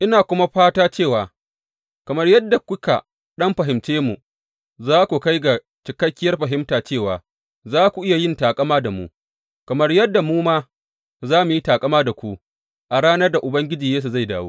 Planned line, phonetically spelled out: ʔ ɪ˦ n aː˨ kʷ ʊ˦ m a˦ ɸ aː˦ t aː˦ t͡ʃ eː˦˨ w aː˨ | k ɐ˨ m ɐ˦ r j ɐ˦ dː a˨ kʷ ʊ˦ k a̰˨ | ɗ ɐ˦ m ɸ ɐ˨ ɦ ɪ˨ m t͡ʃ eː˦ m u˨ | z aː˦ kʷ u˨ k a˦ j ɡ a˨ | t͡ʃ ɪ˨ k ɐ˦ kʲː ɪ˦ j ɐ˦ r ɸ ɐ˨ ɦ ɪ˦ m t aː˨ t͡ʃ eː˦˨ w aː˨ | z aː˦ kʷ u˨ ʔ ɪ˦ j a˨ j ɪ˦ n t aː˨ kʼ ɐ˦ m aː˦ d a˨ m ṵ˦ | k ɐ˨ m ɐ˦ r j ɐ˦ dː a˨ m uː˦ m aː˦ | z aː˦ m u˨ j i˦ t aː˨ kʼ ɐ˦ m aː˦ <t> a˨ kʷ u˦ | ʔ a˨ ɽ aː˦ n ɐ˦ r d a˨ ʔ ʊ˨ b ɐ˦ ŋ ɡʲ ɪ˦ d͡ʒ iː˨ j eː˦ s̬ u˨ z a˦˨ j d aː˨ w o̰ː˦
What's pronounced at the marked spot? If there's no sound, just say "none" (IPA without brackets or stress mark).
d